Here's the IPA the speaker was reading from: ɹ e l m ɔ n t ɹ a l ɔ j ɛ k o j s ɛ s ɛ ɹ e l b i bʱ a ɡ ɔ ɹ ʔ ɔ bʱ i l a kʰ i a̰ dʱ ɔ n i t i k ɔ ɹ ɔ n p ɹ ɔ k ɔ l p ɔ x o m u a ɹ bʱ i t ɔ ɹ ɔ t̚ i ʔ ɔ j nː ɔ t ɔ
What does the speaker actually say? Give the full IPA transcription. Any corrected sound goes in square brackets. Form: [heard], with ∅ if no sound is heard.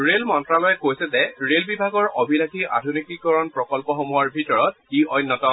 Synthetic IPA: ɹ e l m ɔ n t ɹ a l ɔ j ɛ k o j s ɛ [z] ɛ ɹ e l b i bʱ a ɡ ɔ ɹ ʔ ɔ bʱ i l a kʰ i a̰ dʱ [u] n i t i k ɔ ɹ ɔ n p ɹ ɔ k ɔ l p ɔ x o m u a ɹ bʱ i t ɔ ɹ ɔ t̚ i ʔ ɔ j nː ɔ t ɔ